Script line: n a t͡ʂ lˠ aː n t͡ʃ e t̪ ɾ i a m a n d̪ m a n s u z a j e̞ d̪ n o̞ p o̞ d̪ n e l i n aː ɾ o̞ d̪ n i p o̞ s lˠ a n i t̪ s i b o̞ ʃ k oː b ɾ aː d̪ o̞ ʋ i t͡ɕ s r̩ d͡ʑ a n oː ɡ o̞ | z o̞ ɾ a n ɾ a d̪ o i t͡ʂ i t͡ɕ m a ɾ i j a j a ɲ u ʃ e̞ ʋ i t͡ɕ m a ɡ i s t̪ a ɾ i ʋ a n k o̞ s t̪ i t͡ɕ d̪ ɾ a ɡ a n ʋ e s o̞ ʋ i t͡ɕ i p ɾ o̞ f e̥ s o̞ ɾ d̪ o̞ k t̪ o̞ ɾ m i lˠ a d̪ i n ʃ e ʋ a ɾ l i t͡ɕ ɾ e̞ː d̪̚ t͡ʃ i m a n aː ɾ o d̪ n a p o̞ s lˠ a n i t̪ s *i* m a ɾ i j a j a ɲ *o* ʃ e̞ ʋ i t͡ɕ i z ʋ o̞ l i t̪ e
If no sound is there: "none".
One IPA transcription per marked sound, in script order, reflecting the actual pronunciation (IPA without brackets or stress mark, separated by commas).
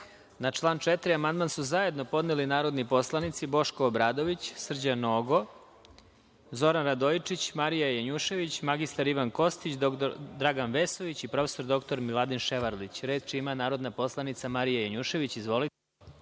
a, u